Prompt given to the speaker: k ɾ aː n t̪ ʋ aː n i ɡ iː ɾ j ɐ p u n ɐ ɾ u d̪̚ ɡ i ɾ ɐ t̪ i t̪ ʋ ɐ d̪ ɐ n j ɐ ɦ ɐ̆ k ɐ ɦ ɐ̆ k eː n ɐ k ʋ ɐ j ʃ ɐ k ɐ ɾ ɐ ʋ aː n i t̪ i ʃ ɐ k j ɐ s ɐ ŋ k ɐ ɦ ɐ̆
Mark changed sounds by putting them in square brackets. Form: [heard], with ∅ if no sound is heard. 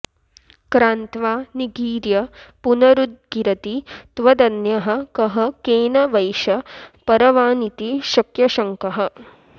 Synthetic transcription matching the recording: k ɾ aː n t̪ ʋ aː n i ɡ iː ɾ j ɐ p u n ɐ ɾ u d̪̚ ɡ i ɾ ɐ t̪ i t̪ ʋ ɐ d̪ ɐ n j ɐ ɦ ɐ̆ k ɐ ɦ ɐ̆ k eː n ɐ [∅] ʋ ɐ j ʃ ɐ [p] ɐ ɾ ɐ ʋ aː n i t̪ i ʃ ɐ k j ɐ [ʃ] ɐ ŋ k ɐ ɦ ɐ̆